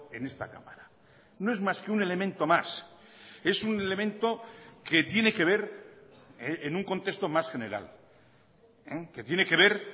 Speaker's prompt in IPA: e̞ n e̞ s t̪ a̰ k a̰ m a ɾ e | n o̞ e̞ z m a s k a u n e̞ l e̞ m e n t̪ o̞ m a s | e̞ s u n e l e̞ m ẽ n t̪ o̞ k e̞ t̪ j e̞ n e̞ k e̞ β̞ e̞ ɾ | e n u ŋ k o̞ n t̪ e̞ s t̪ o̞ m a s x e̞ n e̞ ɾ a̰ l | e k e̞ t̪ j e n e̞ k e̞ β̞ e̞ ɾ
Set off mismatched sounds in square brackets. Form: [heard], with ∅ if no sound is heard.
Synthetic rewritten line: e̞ n e̞ s t̪ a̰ k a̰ m a ɾ [a] | n o̞ e̞ z m a s k [e] u n e̞ l e̞ m [ẽ] n t̪ o̞ m a s | e̞ s u n e l e̞ m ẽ n t̪ o̞ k e̞ t̪ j e̞ n e̞ k e̞ β̞ e̞ ɾ | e n u ŋ k o̞ n t̪ e̞ s t̪ o̞ m a s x e̞ n e̞ ɾ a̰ l | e k e̞ t̪ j e n e̞ k e̞ β̞ e̞ ɾ